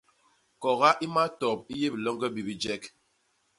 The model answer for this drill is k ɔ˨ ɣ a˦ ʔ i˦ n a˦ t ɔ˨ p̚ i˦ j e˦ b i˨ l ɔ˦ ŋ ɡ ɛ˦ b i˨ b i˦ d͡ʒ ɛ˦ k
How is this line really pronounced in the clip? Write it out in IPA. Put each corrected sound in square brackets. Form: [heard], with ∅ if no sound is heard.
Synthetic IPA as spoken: k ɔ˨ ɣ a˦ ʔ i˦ [m] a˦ t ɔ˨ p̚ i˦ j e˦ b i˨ l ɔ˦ ŋ ɡ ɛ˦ b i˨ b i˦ d͡ʒ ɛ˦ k